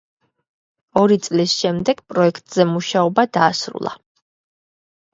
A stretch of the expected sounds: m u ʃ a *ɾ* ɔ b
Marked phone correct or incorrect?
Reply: incorrect